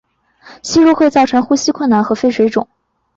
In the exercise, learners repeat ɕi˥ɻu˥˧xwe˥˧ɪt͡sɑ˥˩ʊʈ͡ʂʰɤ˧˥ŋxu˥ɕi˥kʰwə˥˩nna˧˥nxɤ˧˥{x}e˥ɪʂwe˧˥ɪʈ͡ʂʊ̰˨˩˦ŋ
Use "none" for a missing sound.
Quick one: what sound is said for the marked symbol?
f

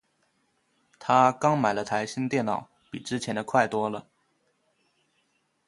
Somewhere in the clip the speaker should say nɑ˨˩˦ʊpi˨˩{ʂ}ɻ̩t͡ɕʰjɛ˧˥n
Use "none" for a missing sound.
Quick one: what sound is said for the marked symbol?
ʈ͡ʂ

